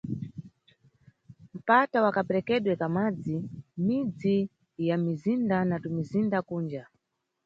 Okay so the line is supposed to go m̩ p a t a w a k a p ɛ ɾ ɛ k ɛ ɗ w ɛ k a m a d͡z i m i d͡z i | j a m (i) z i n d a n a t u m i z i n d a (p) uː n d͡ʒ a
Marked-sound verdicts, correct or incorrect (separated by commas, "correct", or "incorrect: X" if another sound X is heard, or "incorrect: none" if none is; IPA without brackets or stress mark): correct, incorrect: k